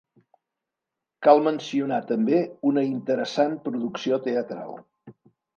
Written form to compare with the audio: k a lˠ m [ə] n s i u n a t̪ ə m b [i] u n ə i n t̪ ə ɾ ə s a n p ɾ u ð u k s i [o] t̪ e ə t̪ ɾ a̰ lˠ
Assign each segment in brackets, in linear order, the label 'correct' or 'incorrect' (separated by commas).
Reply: correct, incorrect, correct